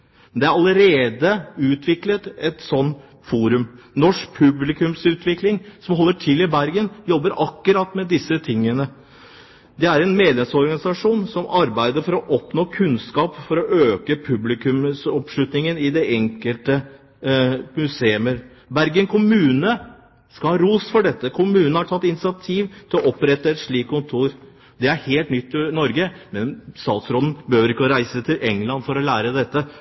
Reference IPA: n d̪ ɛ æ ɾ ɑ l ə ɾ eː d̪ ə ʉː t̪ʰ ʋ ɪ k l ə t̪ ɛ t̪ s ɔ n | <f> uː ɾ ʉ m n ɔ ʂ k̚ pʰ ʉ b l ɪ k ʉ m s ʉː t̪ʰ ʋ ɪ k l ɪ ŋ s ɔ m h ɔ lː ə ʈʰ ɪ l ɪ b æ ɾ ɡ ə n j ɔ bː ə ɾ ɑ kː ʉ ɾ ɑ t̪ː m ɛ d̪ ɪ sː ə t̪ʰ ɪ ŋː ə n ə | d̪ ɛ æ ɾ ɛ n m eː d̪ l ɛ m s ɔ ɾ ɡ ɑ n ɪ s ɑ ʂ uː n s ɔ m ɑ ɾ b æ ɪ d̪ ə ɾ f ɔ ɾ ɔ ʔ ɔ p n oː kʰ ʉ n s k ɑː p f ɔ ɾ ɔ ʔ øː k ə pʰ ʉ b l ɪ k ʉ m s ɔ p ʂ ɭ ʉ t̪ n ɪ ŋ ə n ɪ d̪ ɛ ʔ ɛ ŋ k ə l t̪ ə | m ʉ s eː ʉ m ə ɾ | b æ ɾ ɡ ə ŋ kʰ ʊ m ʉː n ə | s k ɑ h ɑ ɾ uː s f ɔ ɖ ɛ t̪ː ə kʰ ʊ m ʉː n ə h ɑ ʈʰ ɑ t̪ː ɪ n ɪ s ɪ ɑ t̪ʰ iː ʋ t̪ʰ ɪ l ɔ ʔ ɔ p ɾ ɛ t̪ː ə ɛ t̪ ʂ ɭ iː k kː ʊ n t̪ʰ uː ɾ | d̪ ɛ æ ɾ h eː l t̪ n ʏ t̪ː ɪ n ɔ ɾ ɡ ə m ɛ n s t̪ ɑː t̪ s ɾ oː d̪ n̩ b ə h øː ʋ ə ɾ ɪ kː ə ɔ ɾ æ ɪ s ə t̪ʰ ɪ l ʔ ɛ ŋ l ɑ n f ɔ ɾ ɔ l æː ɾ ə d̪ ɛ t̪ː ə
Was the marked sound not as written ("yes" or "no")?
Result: no